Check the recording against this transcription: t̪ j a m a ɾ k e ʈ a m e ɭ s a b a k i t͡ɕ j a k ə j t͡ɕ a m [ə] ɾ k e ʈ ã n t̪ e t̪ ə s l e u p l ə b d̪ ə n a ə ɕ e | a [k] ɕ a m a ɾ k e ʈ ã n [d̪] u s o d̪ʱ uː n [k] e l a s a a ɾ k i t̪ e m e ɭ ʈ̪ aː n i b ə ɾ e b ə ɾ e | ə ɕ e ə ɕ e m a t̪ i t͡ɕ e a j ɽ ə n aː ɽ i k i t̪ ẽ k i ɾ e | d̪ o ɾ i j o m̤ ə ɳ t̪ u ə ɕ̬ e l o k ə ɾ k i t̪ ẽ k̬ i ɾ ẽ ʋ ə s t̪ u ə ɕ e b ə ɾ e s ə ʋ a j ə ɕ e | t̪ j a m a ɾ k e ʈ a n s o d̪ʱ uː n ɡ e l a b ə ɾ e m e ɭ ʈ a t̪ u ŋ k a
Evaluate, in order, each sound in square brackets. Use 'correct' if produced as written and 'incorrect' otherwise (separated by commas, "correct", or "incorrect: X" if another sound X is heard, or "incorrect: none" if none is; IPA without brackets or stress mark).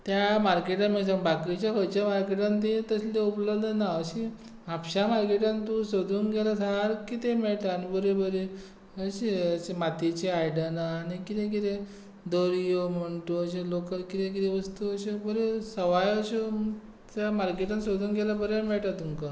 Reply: incorrect: a, incorrect: p, incorrect: t̪, incorrect: ɡ